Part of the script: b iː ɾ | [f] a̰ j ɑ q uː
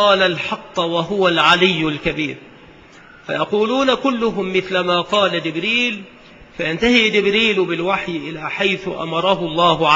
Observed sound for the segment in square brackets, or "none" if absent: f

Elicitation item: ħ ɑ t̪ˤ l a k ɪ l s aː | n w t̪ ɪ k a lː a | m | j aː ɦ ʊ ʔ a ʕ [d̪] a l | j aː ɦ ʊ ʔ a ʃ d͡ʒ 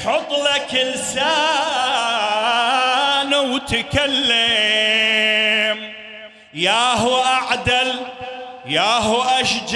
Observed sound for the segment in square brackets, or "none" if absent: d̪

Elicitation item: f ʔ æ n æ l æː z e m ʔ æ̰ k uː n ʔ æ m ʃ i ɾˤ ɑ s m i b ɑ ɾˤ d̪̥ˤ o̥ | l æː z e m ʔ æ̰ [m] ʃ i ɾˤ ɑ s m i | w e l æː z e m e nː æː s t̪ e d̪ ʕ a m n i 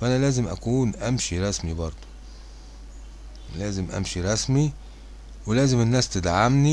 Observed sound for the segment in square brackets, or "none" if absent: m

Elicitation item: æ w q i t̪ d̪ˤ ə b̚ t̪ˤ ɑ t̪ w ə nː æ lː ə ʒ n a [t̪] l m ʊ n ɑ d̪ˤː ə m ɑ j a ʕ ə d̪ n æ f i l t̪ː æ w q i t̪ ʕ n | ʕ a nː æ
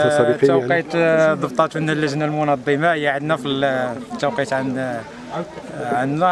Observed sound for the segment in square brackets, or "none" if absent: none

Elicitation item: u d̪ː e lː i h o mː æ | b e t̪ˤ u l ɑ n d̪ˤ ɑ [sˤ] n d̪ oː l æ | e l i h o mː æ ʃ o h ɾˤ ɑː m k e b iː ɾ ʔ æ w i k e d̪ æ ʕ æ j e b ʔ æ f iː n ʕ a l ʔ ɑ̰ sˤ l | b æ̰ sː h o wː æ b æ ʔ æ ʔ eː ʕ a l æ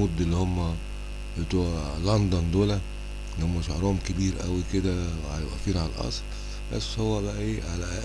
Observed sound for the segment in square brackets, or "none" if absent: none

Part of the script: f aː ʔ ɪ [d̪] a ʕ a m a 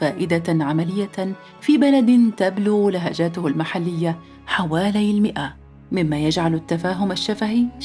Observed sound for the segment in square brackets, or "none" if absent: d̪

